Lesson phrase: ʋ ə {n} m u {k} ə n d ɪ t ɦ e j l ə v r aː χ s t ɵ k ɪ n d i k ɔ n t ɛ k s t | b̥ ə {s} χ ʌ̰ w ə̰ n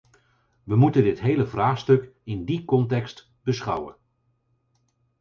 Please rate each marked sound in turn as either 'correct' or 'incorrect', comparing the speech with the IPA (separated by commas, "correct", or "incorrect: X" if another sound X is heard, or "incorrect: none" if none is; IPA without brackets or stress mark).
incorrect: none, incorrect: t, correct